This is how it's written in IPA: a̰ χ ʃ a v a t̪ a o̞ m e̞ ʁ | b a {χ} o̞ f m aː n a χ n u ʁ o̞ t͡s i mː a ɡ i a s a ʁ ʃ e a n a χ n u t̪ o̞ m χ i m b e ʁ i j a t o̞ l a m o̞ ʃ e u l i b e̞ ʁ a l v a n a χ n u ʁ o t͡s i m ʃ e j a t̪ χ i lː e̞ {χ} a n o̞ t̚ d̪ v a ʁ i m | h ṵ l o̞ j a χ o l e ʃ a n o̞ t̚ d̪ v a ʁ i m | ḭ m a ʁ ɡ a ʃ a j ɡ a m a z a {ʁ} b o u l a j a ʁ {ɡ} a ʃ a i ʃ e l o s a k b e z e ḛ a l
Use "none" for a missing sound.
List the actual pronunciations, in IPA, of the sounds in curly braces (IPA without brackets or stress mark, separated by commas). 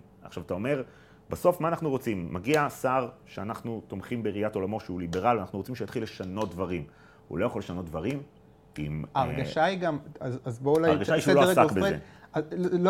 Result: s, ʃ, z, ɡ